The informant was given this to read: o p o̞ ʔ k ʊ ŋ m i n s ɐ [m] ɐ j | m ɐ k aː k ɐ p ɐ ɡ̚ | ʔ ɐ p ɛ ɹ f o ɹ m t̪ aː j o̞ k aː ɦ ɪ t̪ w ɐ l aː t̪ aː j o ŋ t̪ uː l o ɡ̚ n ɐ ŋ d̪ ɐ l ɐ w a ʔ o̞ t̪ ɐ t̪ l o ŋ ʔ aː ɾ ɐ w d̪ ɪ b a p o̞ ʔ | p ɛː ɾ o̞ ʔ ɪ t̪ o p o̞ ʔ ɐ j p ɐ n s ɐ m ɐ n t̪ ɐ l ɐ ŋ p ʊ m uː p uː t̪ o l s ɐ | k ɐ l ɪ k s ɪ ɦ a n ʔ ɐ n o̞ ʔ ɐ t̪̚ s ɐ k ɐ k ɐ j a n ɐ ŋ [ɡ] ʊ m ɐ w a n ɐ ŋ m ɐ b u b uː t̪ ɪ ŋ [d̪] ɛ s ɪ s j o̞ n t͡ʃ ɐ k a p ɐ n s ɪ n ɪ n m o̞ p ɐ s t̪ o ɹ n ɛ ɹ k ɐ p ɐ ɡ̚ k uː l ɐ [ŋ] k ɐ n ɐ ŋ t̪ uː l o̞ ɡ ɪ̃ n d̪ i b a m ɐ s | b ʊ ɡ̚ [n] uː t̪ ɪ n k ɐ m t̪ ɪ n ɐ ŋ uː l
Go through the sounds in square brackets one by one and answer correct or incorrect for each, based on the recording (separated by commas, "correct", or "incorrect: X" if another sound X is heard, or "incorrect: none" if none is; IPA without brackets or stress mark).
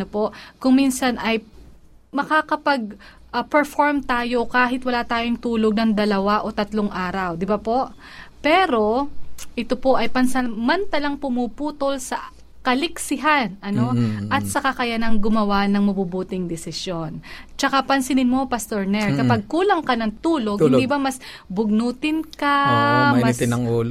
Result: incorrect: n, correct, correct, correct, correct